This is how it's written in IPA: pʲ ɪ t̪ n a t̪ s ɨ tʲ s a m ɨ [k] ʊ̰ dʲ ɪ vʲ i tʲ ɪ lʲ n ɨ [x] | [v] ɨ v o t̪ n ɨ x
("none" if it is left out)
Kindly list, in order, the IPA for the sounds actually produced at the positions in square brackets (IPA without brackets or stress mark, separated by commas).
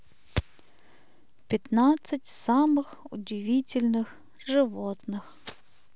x, x, ʐ